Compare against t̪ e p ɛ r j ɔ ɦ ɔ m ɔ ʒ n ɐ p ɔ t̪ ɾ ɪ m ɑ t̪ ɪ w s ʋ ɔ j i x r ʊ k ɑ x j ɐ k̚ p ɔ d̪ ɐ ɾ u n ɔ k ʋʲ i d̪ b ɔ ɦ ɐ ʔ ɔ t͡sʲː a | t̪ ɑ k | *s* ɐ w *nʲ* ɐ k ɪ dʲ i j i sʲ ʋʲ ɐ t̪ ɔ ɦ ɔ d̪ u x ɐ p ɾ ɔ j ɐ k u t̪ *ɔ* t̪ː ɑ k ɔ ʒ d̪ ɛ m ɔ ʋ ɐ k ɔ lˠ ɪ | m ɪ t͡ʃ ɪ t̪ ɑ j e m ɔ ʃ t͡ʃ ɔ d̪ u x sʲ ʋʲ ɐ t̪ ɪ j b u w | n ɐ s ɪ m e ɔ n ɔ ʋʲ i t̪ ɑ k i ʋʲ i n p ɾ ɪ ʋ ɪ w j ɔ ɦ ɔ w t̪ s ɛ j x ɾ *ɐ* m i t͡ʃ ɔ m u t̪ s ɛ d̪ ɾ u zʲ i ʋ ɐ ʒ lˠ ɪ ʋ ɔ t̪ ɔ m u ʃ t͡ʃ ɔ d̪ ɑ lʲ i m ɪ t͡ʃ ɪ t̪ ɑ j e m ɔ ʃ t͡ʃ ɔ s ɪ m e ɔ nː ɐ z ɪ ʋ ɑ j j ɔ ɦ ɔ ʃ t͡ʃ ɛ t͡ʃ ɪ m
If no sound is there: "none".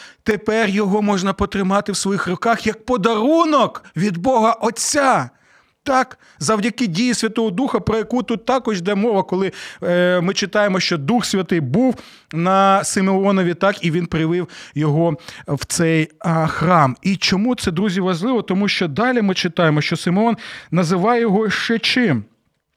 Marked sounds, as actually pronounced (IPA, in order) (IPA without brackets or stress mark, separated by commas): z, dʲ, u, ɑ